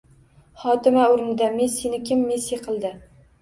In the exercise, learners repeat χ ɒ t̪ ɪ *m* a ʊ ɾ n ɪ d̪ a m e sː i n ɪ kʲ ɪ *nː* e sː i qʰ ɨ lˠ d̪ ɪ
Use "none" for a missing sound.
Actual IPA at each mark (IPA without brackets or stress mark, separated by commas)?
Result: m, mː